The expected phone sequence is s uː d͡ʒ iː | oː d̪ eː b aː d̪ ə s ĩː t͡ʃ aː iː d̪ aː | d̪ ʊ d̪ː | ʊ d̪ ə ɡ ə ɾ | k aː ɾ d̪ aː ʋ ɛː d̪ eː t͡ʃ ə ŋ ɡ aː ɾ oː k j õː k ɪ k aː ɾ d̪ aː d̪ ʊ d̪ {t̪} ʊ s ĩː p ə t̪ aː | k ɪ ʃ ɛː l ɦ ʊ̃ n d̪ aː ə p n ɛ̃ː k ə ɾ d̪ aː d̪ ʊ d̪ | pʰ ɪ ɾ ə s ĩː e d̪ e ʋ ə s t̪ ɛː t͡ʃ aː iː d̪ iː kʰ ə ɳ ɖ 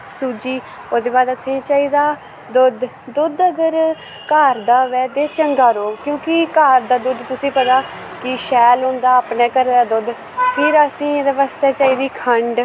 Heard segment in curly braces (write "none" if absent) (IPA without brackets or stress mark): t̪